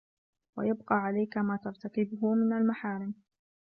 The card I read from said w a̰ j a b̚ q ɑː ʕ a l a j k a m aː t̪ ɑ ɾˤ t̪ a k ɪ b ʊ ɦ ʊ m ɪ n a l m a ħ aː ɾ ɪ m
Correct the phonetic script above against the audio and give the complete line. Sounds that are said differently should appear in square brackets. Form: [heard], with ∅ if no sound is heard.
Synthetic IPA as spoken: w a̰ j a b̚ q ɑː ʕ a l a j k a m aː t̪ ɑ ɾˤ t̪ a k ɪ b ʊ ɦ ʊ m ɪ n a l m a ħ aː ɾ ɪ m